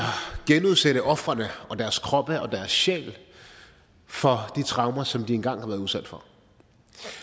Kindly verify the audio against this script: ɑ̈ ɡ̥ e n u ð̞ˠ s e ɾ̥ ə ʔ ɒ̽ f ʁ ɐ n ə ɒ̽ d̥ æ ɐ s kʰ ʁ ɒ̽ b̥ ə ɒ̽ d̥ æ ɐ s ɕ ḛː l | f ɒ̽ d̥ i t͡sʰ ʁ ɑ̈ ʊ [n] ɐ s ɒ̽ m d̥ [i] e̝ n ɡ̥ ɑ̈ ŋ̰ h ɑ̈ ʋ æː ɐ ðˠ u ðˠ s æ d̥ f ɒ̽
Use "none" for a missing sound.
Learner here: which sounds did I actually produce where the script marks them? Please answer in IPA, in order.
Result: m, i

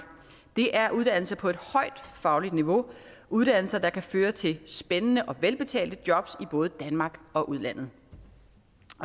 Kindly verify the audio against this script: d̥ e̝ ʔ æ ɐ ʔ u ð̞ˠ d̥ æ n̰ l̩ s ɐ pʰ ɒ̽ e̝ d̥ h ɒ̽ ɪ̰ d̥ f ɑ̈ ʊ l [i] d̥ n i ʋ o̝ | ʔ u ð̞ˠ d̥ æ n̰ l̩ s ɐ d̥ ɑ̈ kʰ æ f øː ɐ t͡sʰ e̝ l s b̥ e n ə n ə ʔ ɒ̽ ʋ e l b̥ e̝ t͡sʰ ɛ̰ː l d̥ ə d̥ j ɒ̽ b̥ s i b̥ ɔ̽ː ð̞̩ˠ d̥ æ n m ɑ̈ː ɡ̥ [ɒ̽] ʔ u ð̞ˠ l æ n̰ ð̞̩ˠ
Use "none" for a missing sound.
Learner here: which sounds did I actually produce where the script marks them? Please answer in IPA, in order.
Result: i, ɒ̽

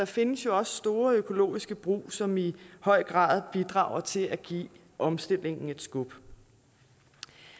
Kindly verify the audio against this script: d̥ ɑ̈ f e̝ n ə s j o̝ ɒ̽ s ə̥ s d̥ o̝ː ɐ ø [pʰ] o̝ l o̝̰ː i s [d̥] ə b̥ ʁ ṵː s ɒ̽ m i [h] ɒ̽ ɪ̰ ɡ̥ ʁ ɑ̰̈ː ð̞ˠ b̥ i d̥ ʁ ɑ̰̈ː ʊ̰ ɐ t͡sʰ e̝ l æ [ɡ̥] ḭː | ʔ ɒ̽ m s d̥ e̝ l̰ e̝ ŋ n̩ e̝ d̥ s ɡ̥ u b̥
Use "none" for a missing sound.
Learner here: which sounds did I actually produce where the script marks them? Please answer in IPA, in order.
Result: kʰ, ɡ̥, h, ɡ̥

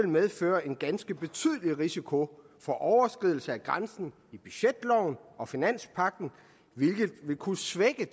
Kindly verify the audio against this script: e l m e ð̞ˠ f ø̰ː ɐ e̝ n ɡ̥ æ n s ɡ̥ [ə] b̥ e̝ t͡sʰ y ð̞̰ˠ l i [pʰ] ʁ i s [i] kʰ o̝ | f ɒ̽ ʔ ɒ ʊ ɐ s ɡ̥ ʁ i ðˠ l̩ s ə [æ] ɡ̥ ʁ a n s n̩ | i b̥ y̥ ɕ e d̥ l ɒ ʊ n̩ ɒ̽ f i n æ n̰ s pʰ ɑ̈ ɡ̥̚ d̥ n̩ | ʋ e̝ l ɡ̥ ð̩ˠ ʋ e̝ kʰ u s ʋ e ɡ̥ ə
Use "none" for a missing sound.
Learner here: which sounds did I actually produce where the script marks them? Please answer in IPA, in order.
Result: ə, none, i, æ

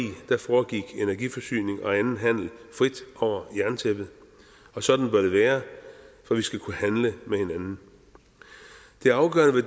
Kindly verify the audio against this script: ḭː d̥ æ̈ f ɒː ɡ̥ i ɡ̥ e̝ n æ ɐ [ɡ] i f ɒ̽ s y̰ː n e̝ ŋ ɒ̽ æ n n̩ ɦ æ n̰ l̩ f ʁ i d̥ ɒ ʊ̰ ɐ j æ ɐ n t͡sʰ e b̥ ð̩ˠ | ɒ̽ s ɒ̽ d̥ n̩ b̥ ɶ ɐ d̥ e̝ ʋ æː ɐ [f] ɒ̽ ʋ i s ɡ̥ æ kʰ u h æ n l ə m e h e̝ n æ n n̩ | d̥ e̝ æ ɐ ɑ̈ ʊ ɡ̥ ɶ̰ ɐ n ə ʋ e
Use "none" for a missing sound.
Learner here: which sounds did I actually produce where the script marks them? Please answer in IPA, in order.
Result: ɡ, f

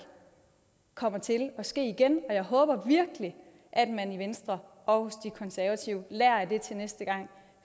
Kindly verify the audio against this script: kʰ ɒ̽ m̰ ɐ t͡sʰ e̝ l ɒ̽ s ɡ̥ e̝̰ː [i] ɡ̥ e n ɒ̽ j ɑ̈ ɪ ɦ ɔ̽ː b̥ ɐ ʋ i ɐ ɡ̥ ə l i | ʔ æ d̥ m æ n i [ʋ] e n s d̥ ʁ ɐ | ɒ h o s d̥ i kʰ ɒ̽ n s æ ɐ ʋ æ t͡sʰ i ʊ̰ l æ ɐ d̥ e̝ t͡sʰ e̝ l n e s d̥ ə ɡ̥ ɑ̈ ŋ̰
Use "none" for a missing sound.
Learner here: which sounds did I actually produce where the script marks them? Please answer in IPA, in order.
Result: i, ʋ

